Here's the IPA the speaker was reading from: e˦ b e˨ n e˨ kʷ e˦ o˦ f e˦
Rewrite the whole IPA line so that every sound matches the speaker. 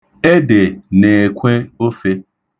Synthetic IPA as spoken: e˦ d e˨ n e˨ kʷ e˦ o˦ f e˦